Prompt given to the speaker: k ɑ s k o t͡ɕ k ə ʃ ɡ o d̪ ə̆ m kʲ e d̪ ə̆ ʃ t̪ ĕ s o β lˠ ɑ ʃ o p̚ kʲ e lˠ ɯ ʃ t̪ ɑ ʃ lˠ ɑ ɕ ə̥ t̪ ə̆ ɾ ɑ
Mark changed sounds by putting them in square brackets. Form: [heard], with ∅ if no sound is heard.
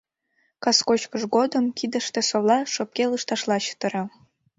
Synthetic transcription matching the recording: k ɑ s k o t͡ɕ k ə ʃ ɡ o d̪ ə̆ m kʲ [i] d̪ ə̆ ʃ t̪ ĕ s o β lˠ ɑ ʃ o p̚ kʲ e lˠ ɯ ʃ t̪ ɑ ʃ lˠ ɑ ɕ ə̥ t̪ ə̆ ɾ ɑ